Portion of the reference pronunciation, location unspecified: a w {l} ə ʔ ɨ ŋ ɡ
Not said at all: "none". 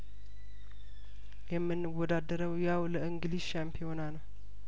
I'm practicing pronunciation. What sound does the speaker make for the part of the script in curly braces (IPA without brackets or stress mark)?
l